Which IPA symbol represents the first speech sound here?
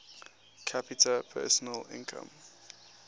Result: kʰ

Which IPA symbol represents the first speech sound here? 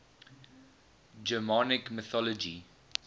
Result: d͡ʒ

